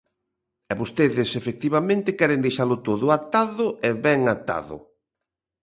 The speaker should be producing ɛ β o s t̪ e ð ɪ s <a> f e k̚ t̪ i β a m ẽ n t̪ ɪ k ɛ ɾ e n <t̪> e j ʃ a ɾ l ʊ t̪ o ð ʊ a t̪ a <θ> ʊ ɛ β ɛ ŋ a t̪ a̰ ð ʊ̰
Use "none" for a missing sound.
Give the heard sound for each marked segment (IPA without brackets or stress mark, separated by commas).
e, d̪, ð